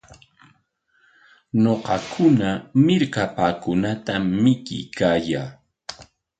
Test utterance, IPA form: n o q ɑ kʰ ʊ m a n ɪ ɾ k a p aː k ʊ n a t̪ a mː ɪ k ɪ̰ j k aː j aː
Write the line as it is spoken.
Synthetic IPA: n o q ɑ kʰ ʊ n a m ɪ ɾ k a p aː k ʊ n a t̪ a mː ɪ k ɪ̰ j k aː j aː